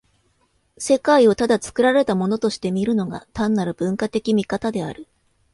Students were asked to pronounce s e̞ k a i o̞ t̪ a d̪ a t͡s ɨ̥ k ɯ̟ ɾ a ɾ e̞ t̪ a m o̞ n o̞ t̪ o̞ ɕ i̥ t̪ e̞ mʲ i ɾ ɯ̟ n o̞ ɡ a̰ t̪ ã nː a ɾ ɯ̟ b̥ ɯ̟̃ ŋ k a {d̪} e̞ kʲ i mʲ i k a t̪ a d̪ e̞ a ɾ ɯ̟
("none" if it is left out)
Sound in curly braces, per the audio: t̪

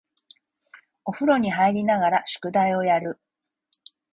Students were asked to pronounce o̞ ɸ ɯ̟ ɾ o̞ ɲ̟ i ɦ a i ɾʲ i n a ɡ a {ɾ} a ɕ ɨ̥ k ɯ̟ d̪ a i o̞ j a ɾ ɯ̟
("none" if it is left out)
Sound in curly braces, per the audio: ɾ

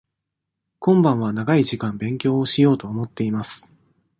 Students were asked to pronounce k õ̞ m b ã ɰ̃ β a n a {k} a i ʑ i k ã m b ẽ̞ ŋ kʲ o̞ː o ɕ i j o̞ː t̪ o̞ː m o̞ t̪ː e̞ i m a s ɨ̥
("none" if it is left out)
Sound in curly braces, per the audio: ɡ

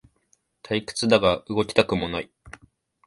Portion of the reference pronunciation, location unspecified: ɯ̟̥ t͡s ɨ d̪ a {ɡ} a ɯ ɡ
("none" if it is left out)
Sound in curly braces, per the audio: ɡ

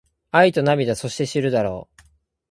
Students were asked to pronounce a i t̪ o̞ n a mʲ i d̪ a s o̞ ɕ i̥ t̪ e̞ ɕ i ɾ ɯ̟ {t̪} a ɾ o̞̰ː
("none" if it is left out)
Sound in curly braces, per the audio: d̪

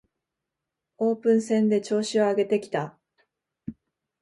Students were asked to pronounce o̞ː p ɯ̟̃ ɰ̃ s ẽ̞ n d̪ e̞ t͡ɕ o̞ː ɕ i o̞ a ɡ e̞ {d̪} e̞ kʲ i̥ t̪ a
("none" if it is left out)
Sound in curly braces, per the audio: t̪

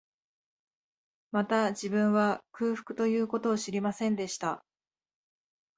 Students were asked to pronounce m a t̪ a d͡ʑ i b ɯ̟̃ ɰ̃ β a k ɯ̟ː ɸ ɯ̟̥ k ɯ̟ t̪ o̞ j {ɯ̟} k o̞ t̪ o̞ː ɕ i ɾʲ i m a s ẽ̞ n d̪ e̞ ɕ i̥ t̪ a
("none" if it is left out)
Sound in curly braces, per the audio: ɯ̟ː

